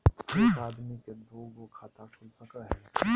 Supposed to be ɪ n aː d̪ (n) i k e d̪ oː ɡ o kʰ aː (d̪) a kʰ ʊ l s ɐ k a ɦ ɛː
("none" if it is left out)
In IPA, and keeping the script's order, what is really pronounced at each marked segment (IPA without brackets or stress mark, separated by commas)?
m, t̪